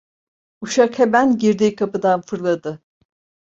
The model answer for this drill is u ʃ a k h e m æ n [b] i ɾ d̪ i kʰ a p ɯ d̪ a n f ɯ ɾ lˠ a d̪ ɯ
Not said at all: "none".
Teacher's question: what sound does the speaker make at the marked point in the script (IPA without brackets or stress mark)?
ɟ